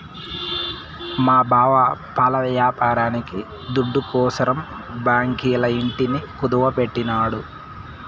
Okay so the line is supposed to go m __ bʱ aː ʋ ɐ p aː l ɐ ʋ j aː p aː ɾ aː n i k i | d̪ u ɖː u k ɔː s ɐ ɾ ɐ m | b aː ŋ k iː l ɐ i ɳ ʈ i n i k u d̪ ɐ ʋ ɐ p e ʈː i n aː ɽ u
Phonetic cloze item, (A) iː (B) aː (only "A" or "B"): B